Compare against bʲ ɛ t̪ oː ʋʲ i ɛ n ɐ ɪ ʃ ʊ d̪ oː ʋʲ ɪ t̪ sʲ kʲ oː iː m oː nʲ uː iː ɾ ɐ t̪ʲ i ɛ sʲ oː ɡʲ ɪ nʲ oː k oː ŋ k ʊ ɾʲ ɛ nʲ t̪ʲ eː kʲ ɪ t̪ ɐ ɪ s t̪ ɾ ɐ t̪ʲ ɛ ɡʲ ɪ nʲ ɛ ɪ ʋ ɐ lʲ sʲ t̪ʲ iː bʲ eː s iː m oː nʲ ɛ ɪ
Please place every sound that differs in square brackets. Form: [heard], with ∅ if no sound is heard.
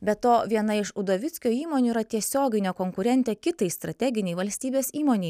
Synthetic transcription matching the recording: bʲ ɛ t̪ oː ʋʲ i ɛ n ɐ ɪ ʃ ʊ d̪ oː ʋʲ ɪ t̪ sʲ kʲ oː iː m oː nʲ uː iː ɾ ɐ t̪ʲ i ɛ sʲ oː ɡʲ ɪ nʲ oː k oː ŋ k ʊ ɾʲ ɛ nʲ t̪ʲ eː kʲ ɪ t̪ ɐ ɪ s t̪ ɾ ɐ t̪ʲ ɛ ɡʲ ɪ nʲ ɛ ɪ ʋ ɐ lʲ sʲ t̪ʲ iː bʲ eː s iː m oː nʲ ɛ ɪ